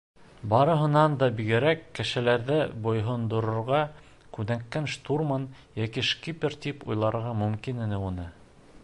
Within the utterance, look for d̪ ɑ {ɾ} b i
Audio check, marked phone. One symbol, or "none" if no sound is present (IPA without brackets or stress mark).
none